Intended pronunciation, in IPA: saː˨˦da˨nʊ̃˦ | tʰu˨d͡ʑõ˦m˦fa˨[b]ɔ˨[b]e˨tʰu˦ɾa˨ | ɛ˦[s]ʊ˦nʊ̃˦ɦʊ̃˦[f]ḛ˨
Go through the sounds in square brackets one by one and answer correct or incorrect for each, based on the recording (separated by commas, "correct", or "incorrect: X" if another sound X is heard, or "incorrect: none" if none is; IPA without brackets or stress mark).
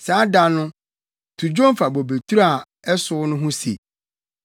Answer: correct, correct, correct, incorrect: s